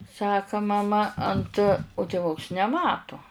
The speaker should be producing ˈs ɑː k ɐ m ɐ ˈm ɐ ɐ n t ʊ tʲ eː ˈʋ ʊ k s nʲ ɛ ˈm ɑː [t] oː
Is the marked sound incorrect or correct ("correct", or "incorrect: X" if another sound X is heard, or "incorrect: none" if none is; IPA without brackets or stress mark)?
correct